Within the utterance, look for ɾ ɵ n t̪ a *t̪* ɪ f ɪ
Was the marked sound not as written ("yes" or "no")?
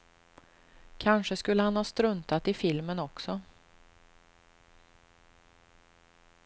no